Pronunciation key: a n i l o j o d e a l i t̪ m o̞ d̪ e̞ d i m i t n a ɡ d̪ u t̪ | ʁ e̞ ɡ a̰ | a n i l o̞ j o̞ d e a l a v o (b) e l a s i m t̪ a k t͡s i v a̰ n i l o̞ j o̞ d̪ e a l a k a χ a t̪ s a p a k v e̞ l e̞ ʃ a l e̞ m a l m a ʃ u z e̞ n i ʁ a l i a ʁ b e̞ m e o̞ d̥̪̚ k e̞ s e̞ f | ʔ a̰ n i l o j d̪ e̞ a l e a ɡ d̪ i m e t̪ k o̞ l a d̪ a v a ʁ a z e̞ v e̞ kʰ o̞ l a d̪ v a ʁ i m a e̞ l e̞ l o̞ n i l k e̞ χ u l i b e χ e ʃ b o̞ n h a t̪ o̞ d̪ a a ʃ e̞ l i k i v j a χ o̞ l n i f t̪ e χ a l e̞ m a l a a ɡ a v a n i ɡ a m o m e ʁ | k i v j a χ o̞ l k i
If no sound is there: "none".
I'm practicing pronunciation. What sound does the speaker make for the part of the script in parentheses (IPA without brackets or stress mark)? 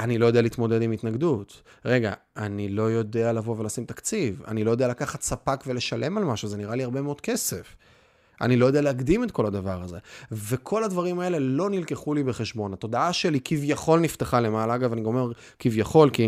v